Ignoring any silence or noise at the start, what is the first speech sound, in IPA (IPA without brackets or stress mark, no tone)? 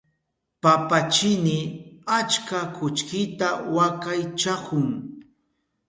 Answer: p